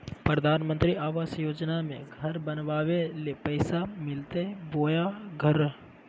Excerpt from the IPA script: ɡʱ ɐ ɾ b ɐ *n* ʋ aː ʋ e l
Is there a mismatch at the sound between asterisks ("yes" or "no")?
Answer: no